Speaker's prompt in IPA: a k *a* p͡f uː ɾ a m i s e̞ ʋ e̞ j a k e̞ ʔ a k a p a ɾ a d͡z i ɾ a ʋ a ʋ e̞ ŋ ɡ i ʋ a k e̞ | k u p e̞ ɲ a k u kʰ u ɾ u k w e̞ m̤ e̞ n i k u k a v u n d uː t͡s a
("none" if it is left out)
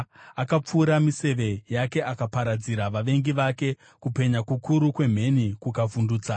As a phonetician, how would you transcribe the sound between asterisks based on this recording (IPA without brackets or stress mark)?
a